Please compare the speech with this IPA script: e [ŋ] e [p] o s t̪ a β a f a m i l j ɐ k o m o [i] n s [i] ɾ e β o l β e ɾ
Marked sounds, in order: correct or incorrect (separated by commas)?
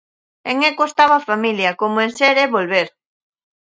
correct, incorrect, incorrect, incorrect